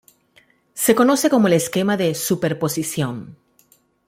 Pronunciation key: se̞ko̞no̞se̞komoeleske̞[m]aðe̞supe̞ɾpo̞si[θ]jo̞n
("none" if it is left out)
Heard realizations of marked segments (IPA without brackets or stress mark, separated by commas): m, s